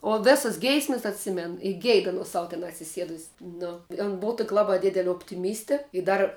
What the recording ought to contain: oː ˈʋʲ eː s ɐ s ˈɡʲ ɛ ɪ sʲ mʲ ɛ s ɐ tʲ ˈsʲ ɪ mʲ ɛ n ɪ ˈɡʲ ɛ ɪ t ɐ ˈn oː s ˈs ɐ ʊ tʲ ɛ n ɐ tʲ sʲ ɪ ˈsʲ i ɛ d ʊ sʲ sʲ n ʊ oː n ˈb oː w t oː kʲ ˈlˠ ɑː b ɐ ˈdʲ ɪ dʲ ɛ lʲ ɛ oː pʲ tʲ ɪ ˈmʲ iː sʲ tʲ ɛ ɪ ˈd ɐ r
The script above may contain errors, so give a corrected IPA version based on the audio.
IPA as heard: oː ˈʋʲ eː s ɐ s ˈɡʲ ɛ ɪ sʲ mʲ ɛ s ɐ tʲ ˈsʲ ɪ mʲ ɛ n ɪ ˈɡʲ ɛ ɪ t ɐ ˈn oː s ˈs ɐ ʊ tʲ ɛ n ɐ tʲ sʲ ɪ ˈsʲ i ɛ d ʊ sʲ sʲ n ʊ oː n ˈb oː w t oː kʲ ˈlˠ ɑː b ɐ ˈdʲ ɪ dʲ ɛ lʲ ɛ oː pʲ tʲ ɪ ˈmʲ iː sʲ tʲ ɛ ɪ ˈd ɐ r